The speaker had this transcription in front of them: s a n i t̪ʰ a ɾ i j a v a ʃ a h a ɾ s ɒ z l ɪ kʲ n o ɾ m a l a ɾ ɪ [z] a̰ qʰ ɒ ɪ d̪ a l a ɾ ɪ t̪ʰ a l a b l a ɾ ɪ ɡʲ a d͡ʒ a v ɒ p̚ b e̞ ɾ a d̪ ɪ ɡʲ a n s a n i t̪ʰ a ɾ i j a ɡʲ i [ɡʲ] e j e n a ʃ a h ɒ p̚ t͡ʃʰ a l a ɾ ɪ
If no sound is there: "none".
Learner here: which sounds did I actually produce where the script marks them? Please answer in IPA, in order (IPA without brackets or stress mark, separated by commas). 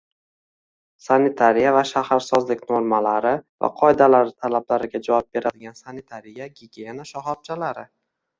v, ɡʲ